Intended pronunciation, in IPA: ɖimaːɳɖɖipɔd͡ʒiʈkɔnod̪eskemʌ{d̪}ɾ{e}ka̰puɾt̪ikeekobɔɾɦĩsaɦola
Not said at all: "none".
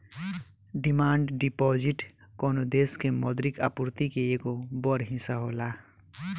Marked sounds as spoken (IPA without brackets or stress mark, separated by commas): d̪, i